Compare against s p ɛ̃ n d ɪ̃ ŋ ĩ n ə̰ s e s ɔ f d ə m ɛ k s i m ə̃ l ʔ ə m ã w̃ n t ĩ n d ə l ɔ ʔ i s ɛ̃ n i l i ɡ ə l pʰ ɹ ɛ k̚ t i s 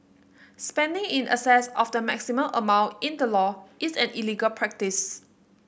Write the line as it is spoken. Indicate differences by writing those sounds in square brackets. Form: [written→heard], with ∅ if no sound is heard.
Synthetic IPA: s p ɛ̃ n d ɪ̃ ŋ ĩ n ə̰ s [e→ɛ] s ɔ f d ə m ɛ k s i m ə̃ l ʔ ə m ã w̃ n t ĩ n d ə l ɔ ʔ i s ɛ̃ n i l i ɡ ə l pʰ ɹ ɛ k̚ t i s